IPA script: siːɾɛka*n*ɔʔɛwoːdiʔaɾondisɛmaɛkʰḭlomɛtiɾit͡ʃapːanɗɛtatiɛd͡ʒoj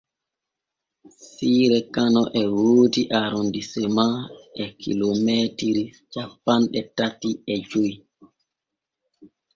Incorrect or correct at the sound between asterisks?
correct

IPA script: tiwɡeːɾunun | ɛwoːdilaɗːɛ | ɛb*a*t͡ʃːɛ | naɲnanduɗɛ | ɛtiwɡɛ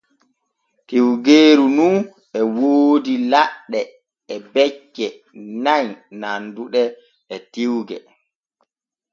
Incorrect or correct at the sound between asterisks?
incorrect: ɛ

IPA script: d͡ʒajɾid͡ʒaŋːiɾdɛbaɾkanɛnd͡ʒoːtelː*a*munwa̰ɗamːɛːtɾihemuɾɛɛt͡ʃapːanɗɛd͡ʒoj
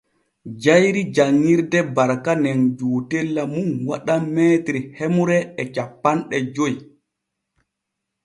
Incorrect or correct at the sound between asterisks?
correct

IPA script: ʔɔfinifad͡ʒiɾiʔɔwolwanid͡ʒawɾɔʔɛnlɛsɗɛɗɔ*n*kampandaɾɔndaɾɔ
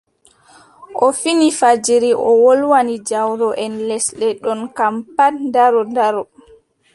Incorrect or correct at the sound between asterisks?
correct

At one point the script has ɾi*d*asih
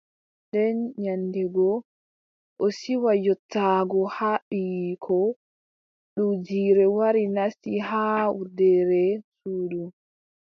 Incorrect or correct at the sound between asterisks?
incorrect: n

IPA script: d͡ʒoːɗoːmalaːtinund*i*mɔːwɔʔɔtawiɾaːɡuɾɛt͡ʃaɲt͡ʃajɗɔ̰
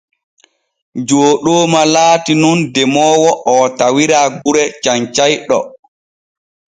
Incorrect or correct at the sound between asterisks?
incorrect: ɛ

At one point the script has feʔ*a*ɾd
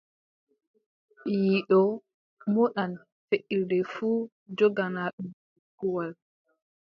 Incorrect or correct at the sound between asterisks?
incorrect: i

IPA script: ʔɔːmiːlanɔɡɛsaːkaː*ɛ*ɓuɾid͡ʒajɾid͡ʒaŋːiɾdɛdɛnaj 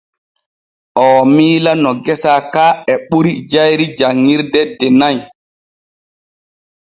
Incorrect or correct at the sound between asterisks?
correct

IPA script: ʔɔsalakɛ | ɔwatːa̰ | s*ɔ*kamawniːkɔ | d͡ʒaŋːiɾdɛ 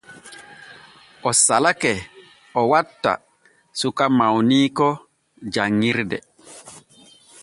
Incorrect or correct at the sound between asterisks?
incorrect: u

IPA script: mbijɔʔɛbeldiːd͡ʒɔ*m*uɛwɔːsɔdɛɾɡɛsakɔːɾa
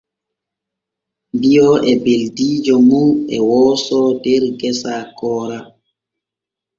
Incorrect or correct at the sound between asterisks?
correct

